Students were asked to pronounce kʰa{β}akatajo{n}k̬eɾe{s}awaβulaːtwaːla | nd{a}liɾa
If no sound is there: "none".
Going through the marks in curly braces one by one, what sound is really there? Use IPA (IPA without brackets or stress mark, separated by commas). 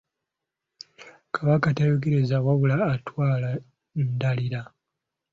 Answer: β, none, z, a